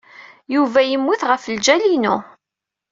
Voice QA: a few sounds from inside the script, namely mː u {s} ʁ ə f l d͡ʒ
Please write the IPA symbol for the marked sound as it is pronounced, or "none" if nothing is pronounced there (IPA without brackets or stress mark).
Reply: θ